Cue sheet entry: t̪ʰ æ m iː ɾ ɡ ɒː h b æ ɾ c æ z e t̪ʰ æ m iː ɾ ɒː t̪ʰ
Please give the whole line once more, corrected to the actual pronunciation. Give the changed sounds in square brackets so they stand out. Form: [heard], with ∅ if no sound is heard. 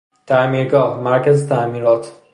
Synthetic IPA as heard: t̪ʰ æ m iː ɾ ɡ ɒː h [m] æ ɾ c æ z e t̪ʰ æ m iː ɾ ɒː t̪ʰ